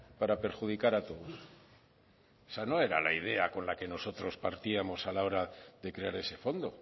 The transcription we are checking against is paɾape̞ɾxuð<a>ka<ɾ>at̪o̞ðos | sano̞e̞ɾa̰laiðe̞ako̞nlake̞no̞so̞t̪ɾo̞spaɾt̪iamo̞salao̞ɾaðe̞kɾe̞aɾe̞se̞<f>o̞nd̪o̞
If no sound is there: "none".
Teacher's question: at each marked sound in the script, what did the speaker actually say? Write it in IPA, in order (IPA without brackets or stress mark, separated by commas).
i, ɾ, f